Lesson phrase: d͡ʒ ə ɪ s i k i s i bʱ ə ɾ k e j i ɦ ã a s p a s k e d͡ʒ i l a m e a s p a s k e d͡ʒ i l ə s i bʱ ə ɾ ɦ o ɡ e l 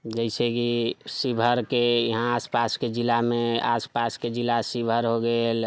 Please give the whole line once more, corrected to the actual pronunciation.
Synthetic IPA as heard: d͡ʒ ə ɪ s e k i s i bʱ ə ɾ k e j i ɦ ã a s p a s k e d͡ʒ i l a m e a s p a s k e d͡ʒ i l a s i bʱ ə ɾ ɦ o ɡ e l

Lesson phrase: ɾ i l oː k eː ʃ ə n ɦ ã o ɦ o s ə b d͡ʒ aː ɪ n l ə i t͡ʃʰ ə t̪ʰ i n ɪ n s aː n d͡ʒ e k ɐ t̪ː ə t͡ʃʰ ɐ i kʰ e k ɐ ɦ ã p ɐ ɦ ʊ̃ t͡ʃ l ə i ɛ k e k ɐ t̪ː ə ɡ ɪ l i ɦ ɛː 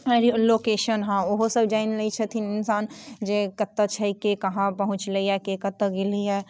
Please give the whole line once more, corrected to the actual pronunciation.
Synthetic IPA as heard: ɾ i l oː k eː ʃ ə n ɦ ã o ɦ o s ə b d͡ʒ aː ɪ n l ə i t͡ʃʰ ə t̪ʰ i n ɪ n s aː n d͡ʒ e k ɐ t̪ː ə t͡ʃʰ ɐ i k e k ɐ ɦ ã p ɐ ɦ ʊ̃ t͡ʃ l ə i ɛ k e k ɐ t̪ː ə ɡ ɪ l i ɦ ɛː

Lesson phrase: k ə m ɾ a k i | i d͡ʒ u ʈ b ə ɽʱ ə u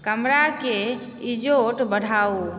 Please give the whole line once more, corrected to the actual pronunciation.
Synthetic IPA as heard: k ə m ɾ a k e | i d͡ʒ o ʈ b ə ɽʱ a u

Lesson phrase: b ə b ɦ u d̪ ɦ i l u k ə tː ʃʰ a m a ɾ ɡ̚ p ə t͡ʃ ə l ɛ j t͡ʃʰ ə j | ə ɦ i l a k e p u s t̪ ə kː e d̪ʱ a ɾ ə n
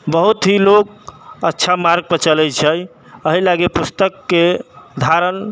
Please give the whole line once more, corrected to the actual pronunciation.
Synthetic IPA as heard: b ə ɦ u t̪ ɦ i l o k ə tː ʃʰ a m a ɾ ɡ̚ p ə t͡ʃ ə l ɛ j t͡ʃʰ ə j | ə ɦ i l a ɡ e p u s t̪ ə kː e d̪ʱ a ɾ ə n

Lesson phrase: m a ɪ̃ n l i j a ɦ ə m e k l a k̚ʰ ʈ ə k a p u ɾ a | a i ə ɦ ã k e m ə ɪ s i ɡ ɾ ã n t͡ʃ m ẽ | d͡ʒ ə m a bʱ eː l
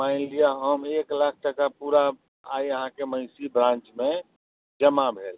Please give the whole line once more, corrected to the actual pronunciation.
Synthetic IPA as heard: m a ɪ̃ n l i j a ɦ ə m e k l a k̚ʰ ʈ ə k a p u ɾ a | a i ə ɦ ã k e m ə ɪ s i b ɾ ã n t͡ʃ m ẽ | d͡ʒ ə m a bʱ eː l

